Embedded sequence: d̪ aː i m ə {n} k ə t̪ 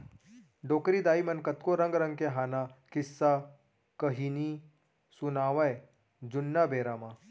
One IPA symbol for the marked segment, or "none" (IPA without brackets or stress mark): n